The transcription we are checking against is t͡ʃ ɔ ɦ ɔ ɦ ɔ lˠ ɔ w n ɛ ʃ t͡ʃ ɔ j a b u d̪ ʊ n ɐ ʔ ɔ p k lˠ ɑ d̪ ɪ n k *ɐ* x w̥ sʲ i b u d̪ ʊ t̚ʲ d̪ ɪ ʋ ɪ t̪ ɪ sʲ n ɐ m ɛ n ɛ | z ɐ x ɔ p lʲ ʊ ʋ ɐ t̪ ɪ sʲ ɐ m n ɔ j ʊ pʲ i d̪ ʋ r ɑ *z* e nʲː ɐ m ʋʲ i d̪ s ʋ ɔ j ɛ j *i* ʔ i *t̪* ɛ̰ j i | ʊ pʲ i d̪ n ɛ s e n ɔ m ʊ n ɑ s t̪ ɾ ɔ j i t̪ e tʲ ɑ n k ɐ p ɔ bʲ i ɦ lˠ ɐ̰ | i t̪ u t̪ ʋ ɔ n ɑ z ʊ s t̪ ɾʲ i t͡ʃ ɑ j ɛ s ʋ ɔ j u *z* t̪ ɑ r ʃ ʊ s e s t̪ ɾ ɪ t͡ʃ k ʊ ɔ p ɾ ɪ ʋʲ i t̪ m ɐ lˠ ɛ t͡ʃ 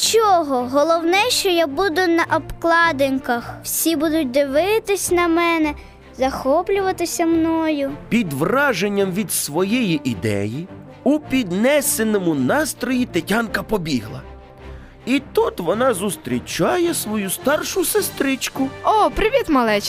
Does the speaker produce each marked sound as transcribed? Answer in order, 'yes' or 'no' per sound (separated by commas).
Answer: yes, no, yes, no, no